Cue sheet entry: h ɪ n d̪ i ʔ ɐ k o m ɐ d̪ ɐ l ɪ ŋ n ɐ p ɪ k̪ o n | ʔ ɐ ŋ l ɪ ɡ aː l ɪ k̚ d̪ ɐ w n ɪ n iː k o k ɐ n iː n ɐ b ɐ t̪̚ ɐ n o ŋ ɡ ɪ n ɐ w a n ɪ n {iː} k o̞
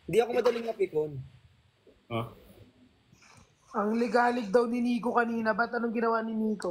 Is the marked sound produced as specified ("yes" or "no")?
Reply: yes